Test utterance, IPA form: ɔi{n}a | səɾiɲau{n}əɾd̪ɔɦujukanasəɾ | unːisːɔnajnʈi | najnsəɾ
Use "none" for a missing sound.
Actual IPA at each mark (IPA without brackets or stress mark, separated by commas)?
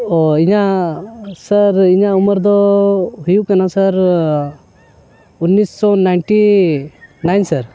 ɲ, m